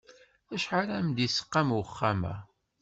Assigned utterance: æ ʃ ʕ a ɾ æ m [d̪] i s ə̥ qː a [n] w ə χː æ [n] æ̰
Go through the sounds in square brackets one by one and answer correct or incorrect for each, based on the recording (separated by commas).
correct, incorrect, incorrect